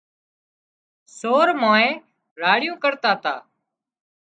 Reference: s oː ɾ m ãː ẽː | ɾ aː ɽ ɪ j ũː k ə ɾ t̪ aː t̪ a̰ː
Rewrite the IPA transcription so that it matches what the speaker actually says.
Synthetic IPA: s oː ɾ m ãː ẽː | ɾ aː ɽ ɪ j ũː k ə ɾ t̪ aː t̪ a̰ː